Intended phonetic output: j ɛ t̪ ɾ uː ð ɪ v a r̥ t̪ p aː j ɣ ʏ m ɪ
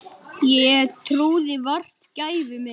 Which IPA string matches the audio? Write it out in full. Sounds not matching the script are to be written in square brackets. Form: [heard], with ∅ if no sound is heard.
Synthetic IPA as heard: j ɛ [t̪ʰ] ɾ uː ð ɪ v a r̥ t̪ [c] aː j [v] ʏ m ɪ